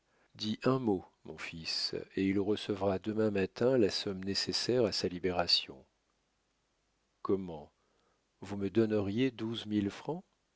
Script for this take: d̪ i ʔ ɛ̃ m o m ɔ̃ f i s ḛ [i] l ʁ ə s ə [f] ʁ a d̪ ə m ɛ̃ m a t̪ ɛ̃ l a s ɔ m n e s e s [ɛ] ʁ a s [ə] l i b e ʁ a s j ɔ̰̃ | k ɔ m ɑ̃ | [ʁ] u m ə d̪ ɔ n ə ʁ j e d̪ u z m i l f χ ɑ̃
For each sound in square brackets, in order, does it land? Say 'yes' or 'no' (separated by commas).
yes, no, yes, no, no